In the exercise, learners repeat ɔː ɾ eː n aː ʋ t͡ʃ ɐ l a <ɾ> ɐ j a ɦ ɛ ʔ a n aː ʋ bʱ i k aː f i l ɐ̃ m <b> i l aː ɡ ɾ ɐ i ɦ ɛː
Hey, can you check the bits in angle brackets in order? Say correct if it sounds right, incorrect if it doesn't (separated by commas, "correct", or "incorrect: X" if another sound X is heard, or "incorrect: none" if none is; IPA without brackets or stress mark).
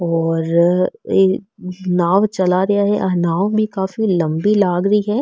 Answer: correct, correct